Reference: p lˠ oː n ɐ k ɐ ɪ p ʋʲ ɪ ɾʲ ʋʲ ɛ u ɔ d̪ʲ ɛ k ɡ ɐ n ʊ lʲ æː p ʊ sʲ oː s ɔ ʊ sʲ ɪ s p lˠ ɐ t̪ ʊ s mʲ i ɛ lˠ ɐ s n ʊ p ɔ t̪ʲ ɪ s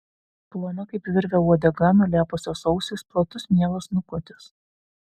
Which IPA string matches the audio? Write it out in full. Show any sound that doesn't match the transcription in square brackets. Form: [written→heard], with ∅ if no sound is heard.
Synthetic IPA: p lˠ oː n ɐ k ɐ ɪ p ʋʲ ɪ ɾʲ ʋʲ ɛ u ɔ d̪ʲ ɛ [k→∅] ɡ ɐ n ʊ lʲ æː p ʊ sʲ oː s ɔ ʊ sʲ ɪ s p lˠ ɐ t̪ ʊ s mʲ i ɛ lˠ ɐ s n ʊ [p→k] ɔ t̪ʲ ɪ s